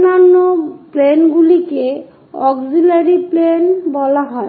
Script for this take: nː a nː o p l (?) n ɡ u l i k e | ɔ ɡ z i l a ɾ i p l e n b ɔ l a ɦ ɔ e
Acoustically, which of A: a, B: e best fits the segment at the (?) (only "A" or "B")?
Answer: B